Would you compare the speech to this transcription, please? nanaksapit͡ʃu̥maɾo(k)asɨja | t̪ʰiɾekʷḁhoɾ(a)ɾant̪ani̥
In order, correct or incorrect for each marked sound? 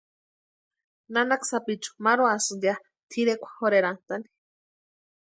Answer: incorrect, incorrect

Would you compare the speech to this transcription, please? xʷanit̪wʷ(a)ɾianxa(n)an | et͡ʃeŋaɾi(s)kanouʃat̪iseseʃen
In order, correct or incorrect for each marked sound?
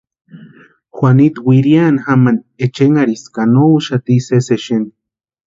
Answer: incorrect, incorrect, correct

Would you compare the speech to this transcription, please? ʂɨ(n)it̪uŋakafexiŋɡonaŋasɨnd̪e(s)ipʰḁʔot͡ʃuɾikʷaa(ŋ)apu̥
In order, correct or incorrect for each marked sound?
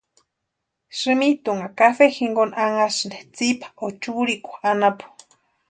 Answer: incorrect, incorrect, incorrect

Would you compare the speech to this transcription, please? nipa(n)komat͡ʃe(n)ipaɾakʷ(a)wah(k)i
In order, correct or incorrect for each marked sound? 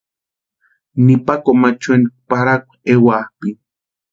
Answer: incorrect, correct, incorrect, incorrect

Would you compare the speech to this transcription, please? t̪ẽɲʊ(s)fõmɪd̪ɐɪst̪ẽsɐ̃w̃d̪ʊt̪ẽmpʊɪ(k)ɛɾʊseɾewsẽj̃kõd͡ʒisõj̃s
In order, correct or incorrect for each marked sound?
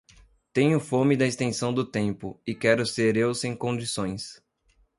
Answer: incorrect, correct

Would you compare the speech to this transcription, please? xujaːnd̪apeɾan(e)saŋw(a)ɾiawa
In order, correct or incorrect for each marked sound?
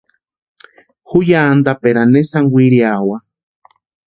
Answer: correct, incorrect

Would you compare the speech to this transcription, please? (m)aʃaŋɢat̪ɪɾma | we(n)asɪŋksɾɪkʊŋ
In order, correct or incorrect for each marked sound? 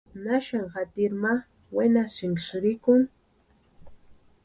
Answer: incorrect, correct

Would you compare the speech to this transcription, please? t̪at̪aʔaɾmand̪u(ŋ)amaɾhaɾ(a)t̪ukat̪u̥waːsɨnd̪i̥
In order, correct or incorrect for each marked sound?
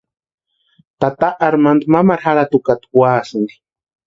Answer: incorrect, correct

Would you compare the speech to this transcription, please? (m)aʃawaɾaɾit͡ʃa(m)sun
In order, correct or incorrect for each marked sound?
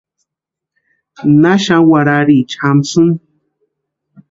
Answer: incorrect, correct

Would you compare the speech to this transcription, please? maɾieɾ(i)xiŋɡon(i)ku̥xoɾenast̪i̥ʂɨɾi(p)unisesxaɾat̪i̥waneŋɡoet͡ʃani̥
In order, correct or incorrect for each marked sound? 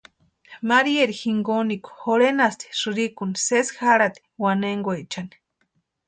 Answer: correct, correct, incorrect

